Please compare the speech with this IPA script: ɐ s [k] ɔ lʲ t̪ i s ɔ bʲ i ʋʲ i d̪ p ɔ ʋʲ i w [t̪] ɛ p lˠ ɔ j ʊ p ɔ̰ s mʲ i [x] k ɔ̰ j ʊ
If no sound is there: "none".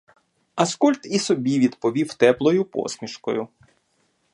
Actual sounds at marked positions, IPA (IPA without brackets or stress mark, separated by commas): k, t̪, ʃ